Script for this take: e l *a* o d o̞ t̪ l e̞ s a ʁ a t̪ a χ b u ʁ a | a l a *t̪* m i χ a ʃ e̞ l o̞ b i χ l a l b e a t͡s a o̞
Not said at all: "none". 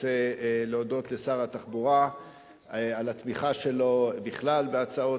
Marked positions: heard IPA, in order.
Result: e, t̪

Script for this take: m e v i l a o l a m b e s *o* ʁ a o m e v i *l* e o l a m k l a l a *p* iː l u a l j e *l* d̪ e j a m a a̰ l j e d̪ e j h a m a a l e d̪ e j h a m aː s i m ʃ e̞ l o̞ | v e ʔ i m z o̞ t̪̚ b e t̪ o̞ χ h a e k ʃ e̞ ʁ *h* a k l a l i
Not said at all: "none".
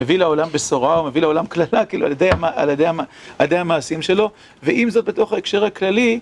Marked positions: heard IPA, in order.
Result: o, l, k, none, h

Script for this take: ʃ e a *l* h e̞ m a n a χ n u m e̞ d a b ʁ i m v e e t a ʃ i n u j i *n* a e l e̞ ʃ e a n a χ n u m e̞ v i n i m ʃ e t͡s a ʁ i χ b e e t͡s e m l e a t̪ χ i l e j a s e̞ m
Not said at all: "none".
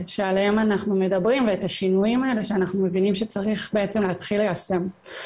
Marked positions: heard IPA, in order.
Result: l, m

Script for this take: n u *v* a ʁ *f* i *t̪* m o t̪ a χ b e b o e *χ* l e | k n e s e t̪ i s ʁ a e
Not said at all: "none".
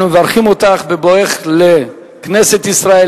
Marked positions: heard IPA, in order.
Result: v, χ, none, χ

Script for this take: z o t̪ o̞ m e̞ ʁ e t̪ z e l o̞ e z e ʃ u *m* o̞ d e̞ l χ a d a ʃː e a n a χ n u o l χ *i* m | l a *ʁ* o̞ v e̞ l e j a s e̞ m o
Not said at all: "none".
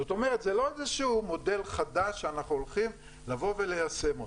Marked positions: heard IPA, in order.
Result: m, i, v

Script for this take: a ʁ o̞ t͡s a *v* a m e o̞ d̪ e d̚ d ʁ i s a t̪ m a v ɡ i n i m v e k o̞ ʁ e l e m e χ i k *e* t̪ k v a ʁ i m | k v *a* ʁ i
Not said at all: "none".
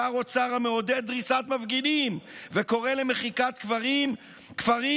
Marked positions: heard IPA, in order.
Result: ʁ, a, a

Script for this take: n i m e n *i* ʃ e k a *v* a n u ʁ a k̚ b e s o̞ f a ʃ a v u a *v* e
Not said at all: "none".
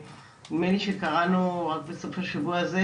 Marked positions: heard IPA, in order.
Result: i, ʁ, z

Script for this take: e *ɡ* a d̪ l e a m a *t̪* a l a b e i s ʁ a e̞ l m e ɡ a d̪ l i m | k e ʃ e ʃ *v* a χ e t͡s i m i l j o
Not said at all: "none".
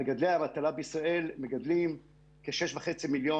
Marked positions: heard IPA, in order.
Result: ɡ, t̪, v

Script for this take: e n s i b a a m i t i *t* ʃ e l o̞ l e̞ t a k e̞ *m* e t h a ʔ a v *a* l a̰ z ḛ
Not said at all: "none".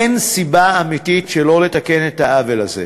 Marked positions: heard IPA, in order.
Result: t, n, e

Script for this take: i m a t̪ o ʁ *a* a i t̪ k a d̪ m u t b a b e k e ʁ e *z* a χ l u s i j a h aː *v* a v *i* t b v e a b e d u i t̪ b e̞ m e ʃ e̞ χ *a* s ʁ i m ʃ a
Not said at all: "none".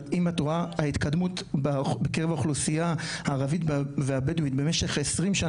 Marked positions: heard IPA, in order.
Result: a, v, ʁ, i, e

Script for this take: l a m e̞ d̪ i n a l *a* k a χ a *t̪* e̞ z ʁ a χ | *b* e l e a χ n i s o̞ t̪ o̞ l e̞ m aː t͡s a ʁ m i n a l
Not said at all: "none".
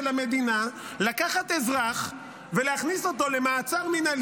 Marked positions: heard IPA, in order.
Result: a, t̪, v

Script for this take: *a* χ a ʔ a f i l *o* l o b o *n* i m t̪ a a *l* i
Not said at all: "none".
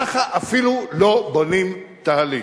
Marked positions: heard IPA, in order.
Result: a, u, n, l

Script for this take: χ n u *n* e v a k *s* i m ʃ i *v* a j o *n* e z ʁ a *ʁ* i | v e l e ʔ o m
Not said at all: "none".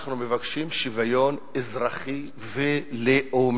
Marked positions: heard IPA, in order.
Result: m, ʃ, v, n, χ

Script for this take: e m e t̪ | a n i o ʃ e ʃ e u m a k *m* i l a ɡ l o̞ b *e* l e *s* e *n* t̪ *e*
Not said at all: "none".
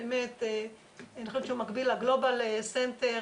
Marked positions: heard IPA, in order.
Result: b, a, s, n, e

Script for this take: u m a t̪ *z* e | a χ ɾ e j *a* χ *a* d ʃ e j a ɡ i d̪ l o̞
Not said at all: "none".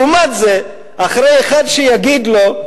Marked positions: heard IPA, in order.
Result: z, e, a

